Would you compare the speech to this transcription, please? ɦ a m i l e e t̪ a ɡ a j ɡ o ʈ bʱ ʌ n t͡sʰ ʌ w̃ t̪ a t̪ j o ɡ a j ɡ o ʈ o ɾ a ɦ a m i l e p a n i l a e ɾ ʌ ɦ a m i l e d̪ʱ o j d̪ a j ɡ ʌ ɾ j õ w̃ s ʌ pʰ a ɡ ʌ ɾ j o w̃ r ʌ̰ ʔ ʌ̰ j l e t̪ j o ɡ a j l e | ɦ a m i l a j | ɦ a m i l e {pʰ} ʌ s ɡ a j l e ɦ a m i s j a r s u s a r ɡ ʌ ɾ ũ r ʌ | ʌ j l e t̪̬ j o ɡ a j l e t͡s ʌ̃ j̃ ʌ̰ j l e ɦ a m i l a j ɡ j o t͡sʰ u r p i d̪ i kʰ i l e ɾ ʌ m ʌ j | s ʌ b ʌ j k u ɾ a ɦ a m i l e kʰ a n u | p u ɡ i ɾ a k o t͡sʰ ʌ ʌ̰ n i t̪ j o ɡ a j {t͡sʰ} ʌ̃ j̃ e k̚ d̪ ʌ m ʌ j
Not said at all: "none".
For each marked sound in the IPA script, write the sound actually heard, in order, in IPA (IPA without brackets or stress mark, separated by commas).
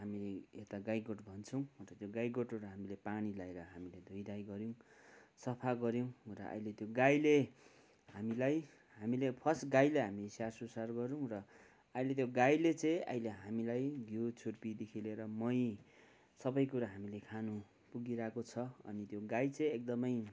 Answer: pʰ, t͡s